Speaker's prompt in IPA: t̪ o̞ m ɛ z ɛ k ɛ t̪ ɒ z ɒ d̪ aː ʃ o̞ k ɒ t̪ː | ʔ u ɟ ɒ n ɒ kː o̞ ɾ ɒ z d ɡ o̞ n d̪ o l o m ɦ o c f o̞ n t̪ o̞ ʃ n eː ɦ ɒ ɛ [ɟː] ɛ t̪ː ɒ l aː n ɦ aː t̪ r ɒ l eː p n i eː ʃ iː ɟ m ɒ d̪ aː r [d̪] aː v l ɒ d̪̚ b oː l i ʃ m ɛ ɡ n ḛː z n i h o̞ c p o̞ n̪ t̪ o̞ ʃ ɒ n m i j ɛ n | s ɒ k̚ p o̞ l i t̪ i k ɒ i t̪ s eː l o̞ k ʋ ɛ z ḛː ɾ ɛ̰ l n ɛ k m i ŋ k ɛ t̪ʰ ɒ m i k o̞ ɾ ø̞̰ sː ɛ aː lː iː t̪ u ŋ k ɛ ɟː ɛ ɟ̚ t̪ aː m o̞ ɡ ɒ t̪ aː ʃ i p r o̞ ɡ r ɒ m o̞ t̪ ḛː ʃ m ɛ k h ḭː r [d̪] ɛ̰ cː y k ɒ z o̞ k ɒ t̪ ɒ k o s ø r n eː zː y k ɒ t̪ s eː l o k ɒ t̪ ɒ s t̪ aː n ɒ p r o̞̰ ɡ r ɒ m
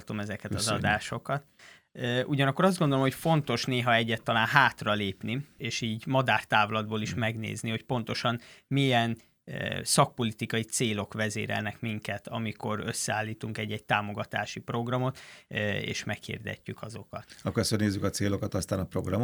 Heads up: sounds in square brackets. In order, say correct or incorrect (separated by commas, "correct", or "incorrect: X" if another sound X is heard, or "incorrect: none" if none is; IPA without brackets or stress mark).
correct, incorrect: t̪, correct